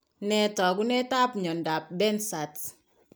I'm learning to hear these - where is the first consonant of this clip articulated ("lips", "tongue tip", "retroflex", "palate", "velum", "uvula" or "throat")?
tongue tip